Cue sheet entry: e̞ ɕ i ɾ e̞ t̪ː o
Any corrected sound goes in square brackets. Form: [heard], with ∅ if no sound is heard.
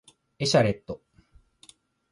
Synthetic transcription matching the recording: e̞ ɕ [a] ɾ e̞ t̪ː o